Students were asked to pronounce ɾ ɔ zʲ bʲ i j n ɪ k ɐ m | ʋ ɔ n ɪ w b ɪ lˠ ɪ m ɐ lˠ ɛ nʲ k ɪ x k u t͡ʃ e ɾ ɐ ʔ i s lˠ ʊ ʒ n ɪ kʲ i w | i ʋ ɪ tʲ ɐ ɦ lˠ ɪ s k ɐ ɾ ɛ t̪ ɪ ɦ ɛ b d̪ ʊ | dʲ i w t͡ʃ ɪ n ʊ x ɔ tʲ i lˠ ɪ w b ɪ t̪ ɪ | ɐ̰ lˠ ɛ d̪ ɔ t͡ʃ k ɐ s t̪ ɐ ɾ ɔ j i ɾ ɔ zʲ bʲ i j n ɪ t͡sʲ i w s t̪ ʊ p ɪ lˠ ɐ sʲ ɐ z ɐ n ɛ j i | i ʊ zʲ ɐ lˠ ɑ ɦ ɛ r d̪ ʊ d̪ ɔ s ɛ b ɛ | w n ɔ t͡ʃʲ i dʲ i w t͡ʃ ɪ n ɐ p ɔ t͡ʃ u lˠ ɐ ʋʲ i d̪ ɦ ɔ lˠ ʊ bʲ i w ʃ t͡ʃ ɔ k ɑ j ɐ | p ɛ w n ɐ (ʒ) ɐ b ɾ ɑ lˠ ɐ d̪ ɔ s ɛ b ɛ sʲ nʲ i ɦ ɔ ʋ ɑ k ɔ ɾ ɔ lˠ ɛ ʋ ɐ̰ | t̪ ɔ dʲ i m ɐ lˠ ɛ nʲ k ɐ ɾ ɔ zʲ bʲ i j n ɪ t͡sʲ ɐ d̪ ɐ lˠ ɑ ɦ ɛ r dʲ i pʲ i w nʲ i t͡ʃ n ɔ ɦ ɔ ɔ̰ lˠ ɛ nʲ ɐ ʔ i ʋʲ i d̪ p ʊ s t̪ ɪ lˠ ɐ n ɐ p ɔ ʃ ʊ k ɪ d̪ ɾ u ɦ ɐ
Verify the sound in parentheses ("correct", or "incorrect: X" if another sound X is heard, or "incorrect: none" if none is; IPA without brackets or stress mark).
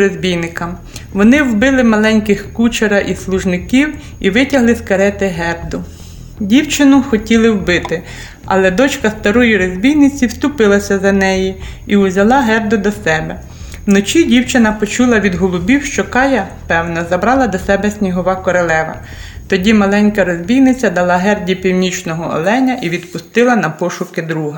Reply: incorrect: z